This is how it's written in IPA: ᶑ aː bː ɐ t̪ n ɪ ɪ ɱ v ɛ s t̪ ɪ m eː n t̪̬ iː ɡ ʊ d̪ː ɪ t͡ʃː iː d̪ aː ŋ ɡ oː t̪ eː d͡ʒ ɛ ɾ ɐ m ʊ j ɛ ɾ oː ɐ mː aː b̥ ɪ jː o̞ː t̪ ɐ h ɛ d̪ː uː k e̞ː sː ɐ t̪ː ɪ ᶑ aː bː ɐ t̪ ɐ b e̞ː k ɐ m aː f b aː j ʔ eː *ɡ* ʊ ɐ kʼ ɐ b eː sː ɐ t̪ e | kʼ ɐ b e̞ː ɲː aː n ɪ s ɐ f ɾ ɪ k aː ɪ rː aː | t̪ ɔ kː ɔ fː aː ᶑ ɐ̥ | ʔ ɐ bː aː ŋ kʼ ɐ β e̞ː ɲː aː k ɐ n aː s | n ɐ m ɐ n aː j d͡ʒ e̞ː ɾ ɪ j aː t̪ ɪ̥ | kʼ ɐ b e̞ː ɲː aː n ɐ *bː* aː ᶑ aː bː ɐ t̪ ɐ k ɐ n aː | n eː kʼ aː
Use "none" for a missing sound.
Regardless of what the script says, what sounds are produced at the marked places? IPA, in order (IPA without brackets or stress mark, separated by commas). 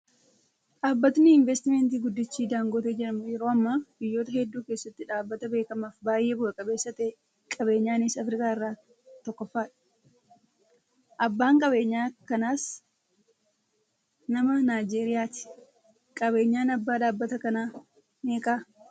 b, bː